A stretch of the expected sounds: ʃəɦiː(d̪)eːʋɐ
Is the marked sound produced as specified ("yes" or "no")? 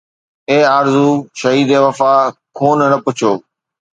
yes